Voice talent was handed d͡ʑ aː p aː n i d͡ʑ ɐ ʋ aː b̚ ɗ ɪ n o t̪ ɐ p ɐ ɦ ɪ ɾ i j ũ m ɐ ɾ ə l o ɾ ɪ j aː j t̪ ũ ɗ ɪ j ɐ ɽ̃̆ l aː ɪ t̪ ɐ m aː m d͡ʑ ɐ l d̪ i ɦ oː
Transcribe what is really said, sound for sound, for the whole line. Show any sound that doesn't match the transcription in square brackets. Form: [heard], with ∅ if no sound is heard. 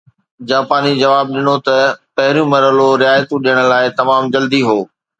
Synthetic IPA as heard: d͡ʑ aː p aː n i d͡ʑ ɐ ʋ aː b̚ ɗ ɪ n o t̪ ɐ p ɐ ɦ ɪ ɾ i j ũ m ɐ ɾ ə l o ɾ ɪ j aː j t̪ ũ ɗ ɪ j [ə] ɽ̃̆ l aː ɪ t̪ ɐ m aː m d͡ʑ ɐ l d̪ i ɦ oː